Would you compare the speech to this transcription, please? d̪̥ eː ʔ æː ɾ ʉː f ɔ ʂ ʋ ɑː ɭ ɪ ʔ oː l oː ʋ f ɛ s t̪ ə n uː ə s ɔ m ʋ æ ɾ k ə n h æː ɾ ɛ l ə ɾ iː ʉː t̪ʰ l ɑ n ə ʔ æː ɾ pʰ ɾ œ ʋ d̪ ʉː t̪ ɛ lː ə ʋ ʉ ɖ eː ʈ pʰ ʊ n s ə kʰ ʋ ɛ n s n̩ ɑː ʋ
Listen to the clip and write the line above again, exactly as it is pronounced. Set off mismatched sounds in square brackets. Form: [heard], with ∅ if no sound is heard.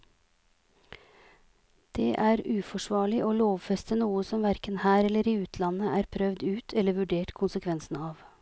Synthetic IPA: d̪̥ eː ʔ æː ɾ ʉː f ɔ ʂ ʋ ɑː ɭ ɪ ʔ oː l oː ʋ f ɛ s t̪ ə n uː ə s ɔ m ʋ æ ɾ k ə n h æː ɾ ɛ l ə ɾ iː ʉː t̪ʰ l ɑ n ə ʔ æː ɾ pʰ ɾ œ ʋ d̪ ʉː [t̪ʰ] ɛ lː ə ʋ ʉ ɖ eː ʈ [kʰ] ʊ n s ə kʰ ʋ ɛ n s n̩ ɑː ʋ